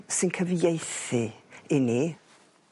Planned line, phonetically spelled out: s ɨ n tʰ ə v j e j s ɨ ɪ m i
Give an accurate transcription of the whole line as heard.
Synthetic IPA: s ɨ n kʰ ə v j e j θ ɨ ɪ n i